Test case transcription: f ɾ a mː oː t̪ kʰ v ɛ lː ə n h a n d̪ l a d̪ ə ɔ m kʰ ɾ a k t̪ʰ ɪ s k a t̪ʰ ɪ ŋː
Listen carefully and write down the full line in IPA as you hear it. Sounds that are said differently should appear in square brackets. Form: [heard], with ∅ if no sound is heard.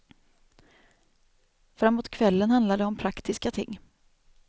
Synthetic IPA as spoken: f ɾ a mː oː t̪ kʰ v ɛ lː ə n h a n d̪ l a d̪ ə ɔ m [pʰ] ɾ a k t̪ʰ ɪ s k a t̪ʰ ɪ ŋː